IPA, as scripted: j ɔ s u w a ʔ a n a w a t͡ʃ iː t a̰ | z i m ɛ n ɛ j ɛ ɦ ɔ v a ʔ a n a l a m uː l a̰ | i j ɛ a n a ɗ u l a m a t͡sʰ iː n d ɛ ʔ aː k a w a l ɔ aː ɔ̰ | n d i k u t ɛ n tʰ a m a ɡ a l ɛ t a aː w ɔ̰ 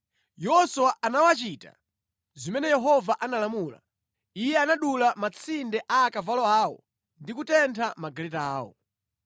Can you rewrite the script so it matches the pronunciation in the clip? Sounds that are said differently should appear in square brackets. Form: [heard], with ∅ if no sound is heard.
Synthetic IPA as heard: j ɔ s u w a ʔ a n a w a t͡ʃ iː t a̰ | z i m ɛ n ɛ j ɛ ɦ ɔ v a ʔ a n a l a m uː l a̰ | i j ɛ a n a ɗ u l a m a t͡sʰ [i] n d ɛ ʔ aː k a [v] a l ɔ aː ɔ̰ | n d i k u t ɛ n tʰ a m a ɡ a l ɛ t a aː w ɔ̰